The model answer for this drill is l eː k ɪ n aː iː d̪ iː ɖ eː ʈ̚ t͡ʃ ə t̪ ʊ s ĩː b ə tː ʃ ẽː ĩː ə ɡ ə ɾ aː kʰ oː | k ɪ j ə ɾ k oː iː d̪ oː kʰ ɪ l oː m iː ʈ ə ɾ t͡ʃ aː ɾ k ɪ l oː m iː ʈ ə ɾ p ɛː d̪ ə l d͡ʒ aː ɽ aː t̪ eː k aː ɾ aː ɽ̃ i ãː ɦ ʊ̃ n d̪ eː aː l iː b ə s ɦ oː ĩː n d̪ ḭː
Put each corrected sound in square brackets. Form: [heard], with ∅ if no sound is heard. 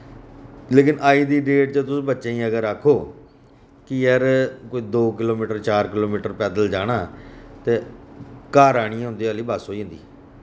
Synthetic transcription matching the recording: l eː k ɪ n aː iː d̪ iː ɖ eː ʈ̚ t͡ʃ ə t̪ ʊ s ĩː b ə tː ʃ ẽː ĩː ə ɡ ə ɾ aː kʰ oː | k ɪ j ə ɾ k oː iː d̪ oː [k] ɪ l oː m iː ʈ ə ɾ t͡ʃ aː ɾ k ɪ l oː m iː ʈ ə ɾ p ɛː d̪ ə l d͡ʒ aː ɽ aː t̪ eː k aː ɾ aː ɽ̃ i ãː ɦ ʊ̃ n d̪ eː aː l iː b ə s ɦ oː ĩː n d̪ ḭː